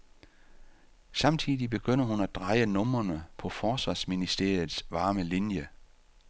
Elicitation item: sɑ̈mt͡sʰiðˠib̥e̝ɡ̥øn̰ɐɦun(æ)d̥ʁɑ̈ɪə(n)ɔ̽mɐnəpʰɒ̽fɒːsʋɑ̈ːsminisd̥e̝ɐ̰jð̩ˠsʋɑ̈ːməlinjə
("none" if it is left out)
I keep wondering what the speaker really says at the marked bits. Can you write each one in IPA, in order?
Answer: æ, n

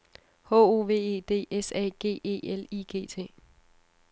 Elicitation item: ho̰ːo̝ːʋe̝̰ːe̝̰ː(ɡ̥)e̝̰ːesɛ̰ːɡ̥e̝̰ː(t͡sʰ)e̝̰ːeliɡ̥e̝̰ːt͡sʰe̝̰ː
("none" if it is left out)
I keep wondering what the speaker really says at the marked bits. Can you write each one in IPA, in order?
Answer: d̥, none

